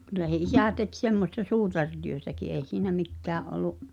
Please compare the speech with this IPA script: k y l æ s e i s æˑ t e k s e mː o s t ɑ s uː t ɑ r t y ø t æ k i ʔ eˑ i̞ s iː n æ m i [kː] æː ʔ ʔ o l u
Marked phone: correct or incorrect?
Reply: correct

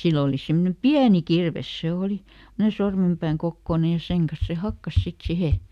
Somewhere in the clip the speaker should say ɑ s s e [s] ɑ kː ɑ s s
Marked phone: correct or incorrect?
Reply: incorrect: h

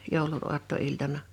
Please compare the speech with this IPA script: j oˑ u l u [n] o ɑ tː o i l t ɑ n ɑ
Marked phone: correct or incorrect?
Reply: correct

